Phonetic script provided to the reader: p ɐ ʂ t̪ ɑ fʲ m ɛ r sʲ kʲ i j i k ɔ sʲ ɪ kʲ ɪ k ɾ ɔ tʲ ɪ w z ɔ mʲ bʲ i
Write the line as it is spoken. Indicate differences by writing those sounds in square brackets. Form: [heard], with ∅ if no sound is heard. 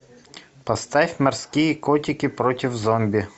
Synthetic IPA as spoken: p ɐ [s] t̪ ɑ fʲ m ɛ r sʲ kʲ i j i k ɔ [tʲ] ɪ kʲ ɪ [p] ɾ ɔ tʲ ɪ w z ɔ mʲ bʲ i

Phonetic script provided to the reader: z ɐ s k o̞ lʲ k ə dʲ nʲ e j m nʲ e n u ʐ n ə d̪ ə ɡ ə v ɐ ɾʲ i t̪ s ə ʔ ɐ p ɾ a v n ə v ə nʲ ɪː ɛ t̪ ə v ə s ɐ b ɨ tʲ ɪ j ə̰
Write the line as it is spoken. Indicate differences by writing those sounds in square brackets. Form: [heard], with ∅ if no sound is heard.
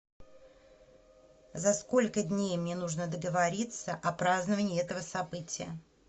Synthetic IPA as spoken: z ɐ s k o̞ lʲ k ə dʲ nʲ e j m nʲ e n u ʐ n ə d̪ ə ɡ ə v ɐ ɾʲ i t̪ s ə ʔ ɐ p ɾ a [z] n ə v ə nʲ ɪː ɛ t̪ ə v ə s ɐ b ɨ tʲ ɪ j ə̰

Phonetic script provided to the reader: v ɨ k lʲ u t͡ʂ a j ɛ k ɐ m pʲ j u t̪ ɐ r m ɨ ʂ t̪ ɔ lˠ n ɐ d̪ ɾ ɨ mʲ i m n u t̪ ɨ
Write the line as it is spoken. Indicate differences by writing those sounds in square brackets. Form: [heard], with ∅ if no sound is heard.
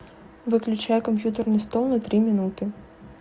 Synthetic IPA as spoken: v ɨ k lʲ u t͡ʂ a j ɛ k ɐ m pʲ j u t̪ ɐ r [n] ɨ [s] t̪ ɔ lˠ n ɐ [t̪] ɾ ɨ mʲ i [∅] n u t̪ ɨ

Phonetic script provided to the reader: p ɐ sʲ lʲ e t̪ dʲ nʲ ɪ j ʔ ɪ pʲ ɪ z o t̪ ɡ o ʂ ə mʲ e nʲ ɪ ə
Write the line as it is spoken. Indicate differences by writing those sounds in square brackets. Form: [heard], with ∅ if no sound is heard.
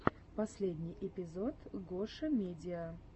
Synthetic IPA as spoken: p ɐ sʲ lʲ e [∅] dʲ nʲ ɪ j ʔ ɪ pʲ ɪ z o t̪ ɡ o ʂ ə mʲ e [dʲ] ɪ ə

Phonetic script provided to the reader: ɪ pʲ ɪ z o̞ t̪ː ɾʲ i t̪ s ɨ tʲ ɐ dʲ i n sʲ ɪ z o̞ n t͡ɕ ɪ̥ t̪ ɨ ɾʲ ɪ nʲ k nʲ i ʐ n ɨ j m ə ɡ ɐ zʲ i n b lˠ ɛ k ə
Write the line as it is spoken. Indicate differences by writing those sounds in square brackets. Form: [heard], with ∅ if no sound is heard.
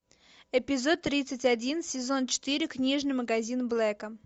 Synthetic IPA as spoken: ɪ pʲ ɪ z o̞ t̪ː ɾʲ i t̪ s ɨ tʲ ɐ dʲ i n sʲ ɪ z o̞ n t͡ɕ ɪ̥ t̪ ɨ ɾʲ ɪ [∅] k nʲ i ʐ n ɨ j m ə ɡ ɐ zʲ i n b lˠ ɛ k ə

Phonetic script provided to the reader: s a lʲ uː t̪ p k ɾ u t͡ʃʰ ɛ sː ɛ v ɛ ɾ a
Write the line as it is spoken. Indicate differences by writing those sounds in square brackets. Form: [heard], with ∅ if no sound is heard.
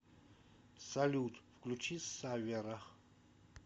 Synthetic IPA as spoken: s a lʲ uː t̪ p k [l] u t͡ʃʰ [i] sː [a] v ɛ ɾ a

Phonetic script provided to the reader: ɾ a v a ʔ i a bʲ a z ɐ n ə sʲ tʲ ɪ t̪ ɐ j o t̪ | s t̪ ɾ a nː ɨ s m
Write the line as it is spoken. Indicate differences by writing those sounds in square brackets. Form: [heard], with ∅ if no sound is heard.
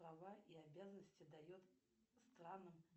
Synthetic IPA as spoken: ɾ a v a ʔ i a bʲ a z [ə] n ə sʲ tʲ ɪ [d̪] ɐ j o t̪ | s t̪ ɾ a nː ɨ [∅] m

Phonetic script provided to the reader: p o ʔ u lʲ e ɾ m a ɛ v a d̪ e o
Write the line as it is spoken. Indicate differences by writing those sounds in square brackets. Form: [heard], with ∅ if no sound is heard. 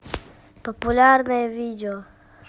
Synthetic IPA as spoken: p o [p] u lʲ [a] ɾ [n] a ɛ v [i] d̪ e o

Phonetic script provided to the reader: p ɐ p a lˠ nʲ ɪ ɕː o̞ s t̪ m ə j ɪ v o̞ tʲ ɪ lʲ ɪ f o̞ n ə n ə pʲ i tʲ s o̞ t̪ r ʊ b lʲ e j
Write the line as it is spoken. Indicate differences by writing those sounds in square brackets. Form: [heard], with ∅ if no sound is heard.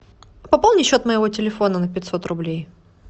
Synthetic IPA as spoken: p ɐ p a lˠ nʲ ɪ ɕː o̞ [∅] t̪ m ə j ɪ v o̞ tʲ ɪ lʲ ɪ f o̞ n ə n ə pʲ [ɪ] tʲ s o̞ t̪ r ʊ b lʲ e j

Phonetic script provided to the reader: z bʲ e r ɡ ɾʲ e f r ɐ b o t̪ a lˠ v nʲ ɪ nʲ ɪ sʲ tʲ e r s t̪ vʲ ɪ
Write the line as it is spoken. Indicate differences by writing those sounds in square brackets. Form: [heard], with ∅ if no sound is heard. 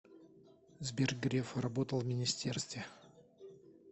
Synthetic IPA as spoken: z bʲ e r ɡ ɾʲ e f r ɐ b o t̪ [ə] lˠ v [mʲ] ɪ nʲ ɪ sʲ tʲ e r s t̪ vʲ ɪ

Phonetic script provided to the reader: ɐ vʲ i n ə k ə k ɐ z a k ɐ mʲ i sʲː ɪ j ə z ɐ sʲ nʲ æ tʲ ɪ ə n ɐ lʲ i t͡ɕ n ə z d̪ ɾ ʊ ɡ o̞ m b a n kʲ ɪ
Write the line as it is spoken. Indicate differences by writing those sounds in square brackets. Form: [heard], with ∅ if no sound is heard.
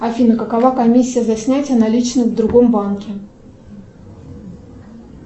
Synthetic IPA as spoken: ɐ [fʲ] i n ə k ə k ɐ [v] a k ɐ mʲ i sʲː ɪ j ə z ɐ sʲ nʲ æ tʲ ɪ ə n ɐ lʲ i t͡ɕ n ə [v] d̪ ɾ ʊ ɡ o̞ m b a n kʲ ɪ

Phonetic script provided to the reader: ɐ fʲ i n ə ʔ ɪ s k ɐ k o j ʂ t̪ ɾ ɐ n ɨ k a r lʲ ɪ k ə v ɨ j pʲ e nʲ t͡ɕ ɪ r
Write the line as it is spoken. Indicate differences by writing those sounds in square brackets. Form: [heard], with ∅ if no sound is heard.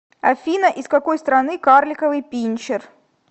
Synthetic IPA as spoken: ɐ fʲ i n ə ʔ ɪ s k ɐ k o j [s] t̪ ɾ ɐ n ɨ k a r lʲ ɪ k ə v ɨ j pʲ [i] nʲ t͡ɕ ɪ r

